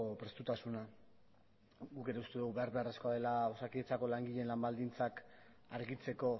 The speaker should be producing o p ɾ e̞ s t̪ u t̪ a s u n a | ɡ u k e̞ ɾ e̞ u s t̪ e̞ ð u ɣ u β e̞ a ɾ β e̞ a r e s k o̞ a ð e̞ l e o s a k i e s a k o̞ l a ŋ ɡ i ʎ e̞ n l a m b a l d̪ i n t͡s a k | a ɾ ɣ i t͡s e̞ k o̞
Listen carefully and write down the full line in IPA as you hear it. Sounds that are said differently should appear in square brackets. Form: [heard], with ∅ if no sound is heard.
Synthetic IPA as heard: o p ɾ e̞ s t̪ u t̪ a s u n a | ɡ u k e̞ ɾ e̞ u s t̪ e̞ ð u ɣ u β e̞ a ɾ β e̞ a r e s k o̞ a ð e̞ l [a] o s a k i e [t͡s] a k o̞ l a ŋ ɡ i ʎ e̞ n l a m b a l d̪ i n t͡s a k | a ɾ ɣ i t͡s e̞ k o̞